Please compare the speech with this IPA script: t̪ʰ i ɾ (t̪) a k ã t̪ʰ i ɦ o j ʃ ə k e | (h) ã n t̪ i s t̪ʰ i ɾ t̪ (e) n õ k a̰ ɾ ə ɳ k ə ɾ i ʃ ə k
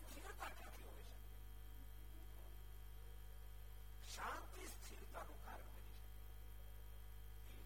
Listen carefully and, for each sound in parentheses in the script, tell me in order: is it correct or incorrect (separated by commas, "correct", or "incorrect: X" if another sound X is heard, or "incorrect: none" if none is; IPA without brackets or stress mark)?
correct, incorrect: ʃ, incorrect: a